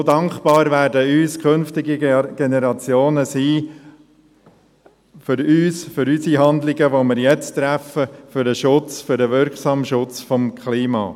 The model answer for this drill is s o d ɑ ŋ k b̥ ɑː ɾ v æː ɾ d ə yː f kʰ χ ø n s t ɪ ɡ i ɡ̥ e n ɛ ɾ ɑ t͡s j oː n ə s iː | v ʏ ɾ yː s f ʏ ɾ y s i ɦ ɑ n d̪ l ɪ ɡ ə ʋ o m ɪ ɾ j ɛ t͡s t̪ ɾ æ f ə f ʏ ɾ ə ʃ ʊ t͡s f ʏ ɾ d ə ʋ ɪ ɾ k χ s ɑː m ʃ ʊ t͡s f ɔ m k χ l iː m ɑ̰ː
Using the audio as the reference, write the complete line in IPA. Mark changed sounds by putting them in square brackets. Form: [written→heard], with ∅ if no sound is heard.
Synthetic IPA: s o d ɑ ŋ k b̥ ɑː ɾ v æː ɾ d ə yː [f→s] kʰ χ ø n [s→f] t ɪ ɡ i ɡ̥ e n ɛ ɾ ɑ t͡s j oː n ə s iː | [v→f] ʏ ɾ yː s f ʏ ɾ y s i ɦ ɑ n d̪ l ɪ ɡ ə ʋ o m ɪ ɾ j ɛ t͡s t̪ ɾ æ f ə f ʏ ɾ ə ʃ ʊ t͡s f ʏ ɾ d ə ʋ ɪ ɾ k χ s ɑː m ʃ ʊ t͡s f ɔ m k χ l iː m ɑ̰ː